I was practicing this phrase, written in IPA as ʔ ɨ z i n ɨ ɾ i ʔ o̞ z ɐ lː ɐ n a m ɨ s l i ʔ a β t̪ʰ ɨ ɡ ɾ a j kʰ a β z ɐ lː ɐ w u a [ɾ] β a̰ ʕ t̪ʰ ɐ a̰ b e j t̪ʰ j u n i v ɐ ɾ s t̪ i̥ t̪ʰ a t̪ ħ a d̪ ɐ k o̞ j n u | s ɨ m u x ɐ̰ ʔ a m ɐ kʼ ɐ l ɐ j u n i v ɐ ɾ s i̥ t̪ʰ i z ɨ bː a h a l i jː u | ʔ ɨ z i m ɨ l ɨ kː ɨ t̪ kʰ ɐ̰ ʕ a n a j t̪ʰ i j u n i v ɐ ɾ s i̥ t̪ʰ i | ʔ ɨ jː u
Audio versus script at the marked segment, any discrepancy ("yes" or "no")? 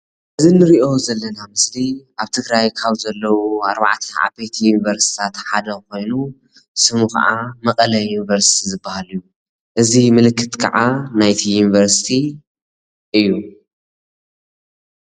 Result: no